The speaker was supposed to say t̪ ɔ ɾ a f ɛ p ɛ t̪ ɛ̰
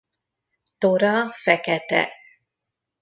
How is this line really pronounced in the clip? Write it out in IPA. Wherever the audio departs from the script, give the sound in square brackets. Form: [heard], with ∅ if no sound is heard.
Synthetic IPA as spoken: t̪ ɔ ɾ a f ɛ [k] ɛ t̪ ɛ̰